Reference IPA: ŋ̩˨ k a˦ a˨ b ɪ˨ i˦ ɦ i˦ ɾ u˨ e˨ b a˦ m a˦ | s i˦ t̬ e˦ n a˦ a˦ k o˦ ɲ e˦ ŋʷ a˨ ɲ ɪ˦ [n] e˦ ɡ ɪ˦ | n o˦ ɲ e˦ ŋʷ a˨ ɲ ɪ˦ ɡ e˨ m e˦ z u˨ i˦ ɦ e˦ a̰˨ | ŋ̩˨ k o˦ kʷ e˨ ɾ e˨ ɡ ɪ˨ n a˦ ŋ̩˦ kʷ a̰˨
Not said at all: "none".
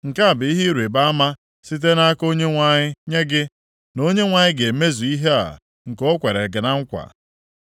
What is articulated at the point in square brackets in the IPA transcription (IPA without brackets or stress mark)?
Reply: ɲ